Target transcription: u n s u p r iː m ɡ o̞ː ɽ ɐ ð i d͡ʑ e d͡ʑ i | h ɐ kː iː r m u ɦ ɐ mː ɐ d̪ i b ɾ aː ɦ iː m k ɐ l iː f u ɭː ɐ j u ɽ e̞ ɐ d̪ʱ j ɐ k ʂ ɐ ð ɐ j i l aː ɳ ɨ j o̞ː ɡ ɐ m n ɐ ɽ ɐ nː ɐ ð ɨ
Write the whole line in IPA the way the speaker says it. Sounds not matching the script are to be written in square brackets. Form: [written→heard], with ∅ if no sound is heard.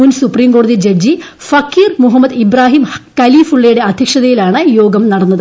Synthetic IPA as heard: u n s u p r iː m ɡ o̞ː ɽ ɐ ð i d͡ʑ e d͡ʑ i | [h→f] ɐ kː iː r m u ɦ ɐ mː ɐ d̪ i b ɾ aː ɦ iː m k ɐ l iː f u ɭː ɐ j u ɽ e̞ ɐ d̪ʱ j ɐ k ʂ ɐ ð ɐ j i l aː ɳ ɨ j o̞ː ɡ ɐ m n ɐ ɽ ɐ nː ɐ ð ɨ